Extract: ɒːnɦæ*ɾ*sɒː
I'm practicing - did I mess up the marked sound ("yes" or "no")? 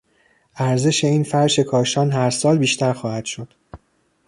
no